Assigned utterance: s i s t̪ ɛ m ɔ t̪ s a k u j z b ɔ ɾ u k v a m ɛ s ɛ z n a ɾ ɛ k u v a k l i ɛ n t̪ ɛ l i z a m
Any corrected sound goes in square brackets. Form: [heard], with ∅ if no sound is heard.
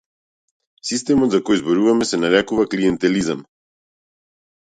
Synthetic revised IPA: s i s t̪ ɛ m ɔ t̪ [z] a k [ɔ] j z b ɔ ɾ u [∅] v a m ɛ s ɛ [∅] n a ɾ ɛ k u v a k l i ɛ n t̪ ɛ l i z a m